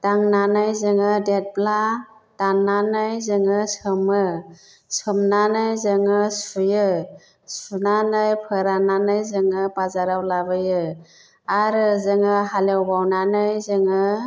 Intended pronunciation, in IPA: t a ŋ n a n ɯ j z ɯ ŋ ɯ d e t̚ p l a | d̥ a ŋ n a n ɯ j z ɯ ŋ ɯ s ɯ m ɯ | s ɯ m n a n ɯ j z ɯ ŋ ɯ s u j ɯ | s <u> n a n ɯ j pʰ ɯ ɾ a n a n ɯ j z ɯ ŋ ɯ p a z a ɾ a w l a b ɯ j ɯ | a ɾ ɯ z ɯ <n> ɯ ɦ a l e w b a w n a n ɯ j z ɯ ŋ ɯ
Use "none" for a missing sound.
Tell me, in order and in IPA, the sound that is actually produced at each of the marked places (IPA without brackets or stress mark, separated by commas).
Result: u, ŋ